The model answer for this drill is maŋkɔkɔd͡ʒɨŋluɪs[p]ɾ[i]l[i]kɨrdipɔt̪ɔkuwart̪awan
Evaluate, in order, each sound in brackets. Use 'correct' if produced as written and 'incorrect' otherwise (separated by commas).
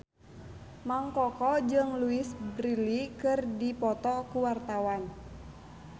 incorrect, correct, correct